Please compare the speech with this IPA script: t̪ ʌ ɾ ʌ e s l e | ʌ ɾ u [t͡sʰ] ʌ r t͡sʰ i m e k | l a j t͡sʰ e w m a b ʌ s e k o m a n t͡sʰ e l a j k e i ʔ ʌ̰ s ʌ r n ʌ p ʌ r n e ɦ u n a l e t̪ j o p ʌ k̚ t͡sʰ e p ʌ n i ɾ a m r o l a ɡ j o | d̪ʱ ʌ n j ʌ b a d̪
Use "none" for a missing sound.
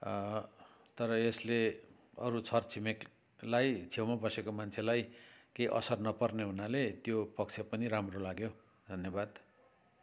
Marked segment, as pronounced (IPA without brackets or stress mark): t͡sʰ